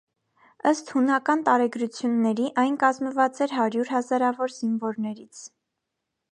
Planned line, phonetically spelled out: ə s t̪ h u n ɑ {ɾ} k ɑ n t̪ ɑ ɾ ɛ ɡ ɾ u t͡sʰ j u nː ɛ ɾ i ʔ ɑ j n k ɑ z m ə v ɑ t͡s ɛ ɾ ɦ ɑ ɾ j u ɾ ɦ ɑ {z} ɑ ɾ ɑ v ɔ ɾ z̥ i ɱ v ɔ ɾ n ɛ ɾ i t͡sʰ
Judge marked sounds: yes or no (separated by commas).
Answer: no, yes